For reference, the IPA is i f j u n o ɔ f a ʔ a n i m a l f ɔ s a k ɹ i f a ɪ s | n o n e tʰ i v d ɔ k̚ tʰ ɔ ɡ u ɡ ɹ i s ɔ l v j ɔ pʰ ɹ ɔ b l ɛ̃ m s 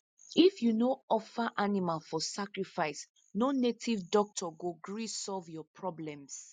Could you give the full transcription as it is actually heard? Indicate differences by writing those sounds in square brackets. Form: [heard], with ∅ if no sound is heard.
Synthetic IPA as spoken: i f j u n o ɔ f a ʔ a n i m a l f ɔ s a k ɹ i f a ɪ s | n o n e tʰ i v d ɔ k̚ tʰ ɔ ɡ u ɡ ɹ i s ɔ l v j ɔ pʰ ɹ ɔ b l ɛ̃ m s